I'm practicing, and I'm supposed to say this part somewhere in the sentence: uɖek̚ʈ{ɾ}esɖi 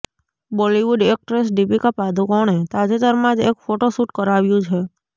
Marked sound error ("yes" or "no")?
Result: no